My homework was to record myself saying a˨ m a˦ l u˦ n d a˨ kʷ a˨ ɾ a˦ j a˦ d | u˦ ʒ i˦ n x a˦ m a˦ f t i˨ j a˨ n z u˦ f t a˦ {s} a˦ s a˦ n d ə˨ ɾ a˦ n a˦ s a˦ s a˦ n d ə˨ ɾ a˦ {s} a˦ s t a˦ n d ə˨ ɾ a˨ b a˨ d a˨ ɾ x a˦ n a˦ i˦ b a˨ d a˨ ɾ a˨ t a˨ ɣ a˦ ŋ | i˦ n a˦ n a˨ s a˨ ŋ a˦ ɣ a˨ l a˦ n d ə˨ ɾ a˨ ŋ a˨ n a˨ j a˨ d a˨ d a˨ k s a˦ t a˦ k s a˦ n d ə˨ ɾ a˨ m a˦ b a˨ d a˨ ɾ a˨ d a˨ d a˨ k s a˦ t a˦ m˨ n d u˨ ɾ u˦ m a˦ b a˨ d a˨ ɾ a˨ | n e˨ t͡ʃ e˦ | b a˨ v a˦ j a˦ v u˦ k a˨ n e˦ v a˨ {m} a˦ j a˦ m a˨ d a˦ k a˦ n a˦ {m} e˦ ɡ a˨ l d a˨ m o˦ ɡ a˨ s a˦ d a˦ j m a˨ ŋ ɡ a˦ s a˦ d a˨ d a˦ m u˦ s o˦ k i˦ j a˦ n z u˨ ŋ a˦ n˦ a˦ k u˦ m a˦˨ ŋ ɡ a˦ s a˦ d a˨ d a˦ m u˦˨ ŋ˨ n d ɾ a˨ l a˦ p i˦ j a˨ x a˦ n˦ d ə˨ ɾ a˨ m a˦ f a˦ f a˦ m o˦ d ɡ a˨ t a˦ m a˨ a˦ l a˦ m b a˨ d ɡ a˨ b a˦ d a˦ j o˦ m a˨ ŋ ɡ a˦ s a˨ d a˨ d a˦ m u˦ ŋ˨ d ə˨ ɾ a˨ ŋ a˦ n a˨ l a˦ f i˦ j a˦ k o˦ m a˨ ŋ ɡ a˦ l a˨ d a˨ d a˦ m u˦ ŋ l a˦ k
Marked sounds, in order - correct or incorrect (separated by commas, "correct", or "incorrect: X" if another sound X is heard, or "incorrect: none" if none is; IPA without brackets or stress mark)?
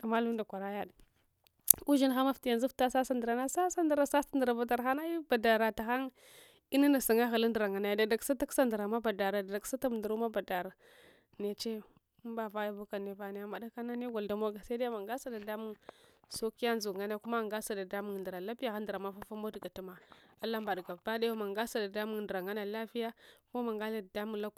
correct, correct, incorrect: n, incorrect: n